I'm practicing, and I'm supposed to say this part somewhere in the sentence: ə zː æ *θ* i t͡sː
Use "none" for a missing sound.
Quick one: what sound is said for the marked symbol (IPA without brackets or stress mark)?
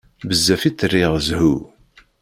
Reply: f